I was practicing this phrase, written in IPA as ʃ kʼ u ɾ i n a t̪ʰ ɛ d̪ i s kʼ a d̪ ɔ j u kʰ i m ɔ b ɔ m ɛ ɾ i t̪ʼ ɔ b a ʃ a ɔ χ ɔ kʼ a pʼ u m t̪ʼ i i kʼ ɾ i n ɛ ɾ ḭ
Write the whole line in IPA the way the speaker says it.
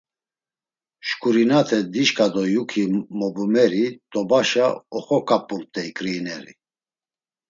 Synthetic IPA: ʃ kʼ u ɾ i n a t̪ʰ ɛ d̪ i ʃ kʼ a d̪ ɔ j u kʰ i m ɔ b u m ɛ ɾ i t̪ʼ ɔ b a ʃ a ɔ χ ɔ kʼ a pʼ u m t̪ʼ ɛ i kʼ ɾ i n ɛ ɾ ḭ